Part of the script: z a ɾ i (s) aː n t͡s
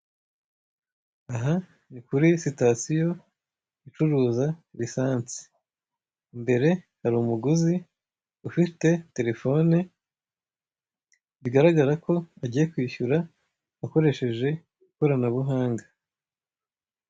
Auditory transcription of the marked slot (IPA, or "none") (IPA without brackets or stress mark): s